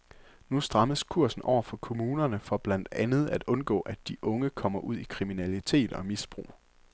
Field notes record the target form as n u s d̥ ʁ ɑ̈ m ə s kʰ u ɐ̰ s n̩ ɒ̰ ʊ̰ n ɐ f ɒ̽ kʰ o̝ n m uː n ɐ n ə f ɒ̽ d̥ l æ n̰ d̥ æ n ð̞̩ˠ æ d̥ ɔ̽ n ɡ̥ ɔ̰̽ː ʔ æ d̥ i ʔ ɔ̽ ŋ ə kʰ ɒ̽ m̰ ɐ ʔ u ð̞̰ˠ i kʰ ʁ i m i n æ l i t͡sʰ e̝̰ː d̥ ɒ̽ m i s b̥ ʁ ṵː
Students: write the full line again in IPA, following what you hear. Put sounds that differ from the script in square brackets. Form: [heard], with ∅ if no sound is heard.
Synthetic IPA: n u s d̥ ʁ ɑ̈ m ə s kʰ u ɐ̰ s n̩ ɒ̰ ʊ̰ [∅] ɐ f ɒ̽ kʰ o̝ [∅] m uː n ɐ n ə f ɒ̽ [b̥] l æ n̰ d̥ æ n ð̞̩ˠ æ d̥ ɔ̽ n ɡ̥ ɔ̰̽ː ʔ æ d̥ i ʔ ɔ̽ ŋ ə kʰ ɒ̽ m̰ ɐ ʔ u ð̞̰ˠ i kʰ ʁ i m i n æ l i t͡sʰ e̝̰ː d̥ ɒ̽ m i s b̥ ʁ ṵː